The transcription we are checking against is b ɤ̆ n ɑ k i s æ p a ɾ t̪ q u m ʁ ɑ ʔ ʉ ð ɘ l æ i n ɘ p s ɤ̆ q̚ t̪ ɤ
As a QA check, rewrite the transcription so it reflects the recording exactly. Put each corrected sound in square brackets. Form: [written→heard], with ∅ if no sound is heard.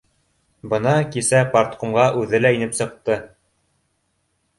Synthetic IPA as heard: b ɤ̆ n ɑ k i s æ p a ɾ t̪ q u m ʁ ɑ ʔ ʉ ð ɘ l æ i n ɘ p s ɤ̆ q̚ t̪ ɤ